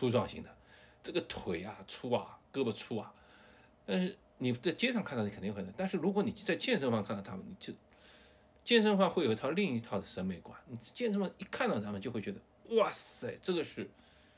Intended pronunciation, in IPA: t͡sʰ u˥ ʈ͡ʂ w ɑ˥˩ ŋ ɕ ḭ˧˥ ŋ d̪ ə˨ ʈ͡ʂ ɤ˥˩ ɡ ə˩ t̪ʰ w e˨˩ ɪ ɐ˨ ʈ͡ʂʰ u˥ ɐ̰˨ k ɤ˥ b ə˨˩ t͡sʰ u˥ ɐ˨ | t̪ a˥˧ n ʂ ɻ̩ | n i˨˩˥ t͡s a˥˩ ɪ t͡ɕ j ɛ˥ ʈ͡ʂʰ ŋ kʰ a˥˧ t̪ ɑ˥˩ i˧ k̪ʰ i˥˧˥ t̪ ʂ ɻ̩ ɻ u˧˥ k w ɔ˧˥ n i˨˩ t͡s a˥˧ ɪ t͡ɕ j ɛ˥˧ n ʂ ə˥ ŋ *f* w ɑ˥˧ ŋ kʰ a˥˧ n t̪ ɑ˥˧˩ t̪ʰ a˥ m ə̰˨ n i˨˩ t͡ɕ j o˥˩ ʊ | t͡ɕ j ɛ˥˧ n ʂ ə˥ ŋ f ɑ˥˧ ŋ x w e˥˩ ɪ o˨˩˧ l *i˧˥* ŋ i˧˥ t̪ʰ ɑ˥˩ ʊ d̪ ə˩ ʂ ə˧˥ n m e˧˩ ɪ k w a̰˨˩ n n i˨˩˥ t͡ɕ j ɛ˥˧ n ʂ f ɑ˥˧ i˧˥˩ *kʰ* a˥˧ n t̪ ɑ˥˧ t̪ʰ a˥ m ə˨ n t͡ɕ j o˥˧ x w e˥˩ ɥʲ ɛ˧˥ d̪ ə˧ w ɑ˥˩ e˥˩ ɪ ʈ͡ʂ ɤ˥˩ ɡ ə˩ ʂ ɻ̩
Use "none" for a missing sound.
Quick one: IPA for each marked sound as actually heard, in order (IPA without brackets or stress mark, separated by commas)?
f, i˥˧, kʰ